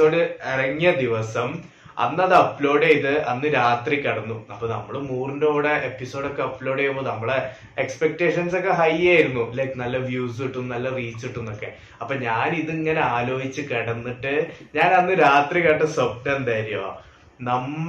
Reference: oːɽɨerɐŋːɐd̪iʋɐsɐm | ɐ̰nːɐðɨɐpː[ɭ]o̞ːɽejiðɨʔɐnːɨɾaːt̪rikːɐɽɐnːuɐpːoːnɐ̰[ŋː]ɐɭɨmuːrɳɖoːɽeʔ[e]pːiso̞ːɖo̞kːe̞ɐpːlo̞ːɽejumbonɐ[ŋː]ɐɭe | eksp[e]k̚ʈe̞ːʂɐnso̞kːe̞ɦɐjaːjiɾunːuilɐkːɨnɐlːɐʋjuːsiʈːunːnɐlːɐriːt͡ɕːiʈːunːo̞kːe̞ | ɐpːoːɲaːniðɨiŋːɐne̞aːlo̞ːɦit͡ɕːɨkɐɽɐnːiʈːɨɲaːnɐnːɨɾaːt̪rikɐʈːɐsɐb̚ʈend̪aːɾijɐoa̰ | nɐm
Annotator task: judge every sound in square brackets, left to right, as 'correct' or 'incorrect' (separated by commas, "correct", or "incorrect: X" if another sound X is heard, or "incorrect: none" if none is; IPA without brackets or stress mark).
incorrect: l, incorrect: mː, correct, incorrect: mː, correct